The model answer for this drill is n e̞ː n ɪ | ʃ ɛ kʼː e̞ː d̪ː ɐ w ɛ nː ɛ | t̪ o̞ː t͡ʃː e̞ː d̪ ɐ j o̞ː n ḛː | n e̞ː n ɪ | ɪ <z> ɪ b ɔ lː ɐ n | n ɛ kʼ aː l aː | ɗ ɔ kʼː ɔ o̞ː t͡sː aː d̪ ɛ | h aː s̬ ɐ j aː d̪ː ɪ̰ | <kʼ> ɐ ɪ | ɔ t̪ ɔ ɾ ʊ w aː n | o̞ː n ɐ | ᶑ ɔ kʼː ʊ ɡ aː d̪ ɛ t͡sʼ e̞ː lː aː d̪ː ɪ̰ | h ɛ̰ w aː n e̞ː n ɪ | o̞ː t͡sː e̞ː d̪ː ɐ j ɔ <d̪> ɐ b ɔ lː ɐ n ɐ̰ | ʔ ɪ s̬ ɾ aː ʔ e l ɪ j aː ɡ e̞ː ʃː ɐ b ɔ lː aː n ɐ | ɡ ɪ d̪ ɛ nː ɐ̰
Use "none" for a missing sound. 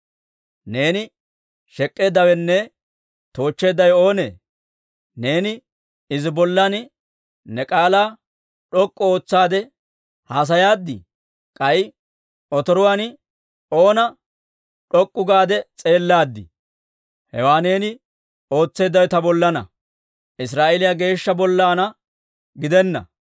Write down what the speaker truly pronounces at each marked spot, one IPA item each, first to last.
z, kʼ, t̪

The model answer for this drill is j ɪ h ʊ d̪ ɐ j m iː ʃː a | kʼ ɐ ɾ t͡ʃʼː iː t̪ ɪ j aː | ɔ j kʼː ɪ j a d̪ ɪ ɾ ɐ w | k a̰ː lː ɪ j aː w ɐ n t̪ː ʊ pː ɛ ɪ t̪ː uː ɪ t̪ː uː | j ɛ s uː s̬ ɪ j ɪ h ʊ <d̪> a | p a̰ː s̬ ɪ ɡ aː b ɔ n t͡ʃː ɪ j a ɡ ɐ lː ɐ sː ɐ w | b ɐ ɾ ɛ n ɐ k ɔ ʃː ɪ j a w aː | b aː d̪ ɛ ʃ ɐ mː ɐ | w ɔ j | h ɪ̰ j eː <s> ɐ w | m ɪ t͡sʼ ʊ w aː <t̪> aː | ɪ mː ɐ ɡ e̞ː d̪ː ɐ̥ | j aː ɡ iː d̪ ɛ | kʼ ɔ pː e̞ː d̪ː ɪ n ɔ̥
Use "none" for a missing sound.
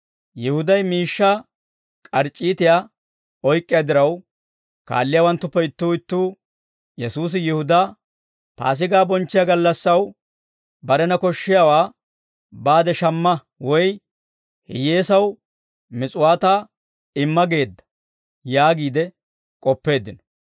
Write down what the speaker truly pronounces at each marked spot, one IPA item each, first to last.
d̪, s, t̪

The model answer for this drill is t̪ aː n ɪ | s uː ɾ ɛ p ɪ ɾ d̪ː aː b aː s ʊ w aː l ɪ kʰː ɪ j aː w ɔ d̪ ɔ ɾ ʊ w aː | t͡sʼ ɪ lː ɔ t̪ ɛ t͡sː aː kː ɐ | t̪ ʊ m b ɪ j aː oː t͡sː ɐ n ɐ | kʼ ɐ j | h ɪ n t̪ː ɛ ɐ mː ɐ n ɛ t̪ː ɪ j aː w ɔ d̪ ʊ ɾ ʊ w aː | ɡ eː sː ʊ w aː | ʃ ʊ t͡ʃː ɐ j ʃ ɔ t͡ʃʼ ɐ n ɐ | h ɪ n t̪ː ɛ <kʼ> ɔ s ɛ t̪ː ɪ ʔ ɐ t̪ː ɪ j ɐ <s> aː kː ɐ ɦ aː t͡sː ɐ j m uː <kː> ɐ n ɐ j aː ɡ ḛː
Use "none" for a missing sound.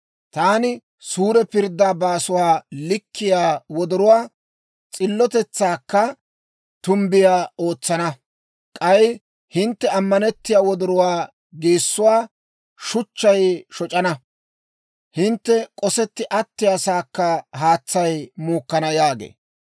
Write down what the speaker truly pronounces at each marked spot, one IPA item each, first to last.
kʼ, s, kː

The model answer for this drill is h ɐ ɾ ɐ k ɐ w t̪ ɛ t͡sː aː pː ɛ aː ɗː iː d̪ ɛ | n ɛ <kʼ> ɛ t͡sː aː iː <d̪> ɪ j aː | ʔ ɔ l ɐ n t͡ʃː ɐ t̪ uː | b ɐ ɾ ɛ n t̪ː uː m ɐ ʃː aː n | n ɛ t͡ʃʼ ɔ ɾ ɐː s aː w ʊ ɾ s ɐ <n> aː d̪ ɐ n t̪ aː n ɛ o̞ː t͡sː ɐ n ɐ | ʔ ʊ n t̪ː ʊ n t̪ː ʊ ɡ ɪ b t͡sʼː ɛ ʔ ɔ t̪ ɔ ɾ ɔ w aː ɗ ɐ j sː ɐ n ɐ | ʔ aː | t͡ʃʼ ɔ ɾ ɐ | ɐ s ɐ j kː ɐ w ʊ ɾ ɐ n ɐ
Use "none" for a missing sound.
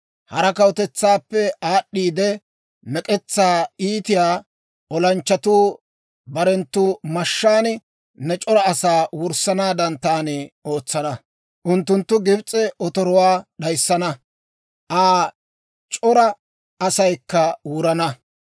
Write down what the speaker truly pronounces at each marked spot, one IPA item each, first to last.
kʼ, t̪, n

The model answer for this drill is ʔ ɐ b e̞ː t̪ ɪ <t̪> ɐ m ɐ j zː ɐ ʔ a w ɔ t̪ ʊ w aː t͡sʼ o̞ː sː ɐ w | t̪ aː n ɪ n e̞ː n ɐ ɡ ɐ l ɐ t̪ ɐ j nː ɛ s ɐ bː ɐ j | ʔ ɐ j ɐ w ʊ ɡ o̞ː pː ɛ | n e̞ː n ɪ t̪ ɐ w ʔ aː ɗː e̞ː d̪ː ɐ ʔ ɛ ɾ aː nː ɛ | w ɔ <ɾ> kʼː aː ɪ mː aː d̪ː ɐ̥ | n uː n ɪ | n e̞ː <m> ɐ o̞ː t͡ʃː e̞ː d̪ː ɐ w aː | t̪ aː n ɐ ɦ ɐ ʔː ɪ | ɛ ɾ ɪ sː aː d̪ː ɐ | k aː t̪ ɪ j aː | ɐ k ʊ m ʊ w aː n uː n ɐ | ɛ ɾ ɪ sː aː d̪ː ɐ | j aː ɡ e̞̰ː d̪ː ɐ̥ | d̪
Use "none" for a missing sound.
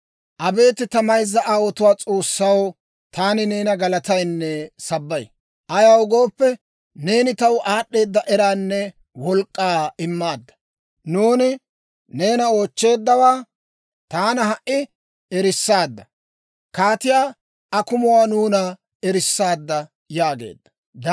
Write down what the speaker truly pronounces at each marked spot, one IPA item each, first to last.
t̪, l, n

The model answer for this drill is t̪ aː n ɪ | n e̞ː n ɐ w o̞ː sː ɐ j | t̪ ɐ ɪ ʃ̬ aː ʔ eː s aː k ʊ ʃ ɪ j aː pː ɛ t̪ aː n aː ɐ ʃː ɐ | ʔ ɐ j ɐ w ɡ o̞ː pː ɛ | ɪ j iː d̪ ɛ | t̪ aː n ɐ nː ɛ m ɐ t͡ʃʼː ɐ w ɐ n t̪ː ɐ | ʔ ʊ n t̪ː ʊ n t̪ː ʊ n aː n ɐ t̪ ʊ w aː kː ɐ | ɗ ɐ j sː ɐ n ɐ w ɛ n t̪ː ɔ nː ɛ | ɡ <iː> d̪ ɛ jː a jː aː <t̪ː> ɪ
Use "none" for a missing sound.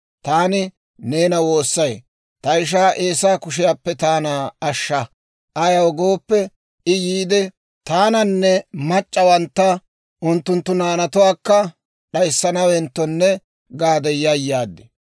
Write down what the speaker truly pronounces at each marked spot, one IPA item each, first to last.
aː, d̪ː

